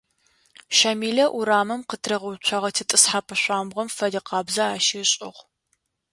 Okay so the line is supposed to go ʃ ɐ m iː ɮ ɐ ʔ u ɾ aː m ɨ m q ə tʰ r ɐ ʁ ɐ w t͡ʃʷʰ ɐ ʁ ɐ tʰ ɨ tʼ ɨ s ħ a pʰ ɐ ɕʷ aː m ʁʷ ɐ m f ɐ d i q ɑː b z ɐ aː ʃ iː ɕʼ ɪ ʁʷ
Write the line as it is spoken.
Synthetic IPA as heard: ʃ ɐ m iː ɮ ɐ ʔ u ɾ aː m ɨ m q ə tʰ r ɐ ʁ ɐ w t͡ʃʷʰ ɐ ʁ ɐ tʰ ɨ tʼ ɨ s ħ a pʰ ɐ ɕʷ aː m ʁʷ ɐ m f ɐ d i q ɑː b z ɐ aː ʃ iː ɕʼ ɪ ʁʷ